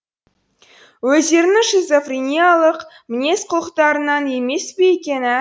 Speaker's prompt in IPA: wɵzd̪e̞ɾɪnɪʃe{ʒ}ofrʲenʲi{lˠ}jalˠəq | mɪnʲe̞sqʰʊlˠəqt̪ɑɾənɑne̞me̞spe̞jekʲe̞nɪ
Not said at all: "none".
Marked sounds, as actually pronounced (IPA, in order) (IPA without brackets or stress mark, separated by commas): z, none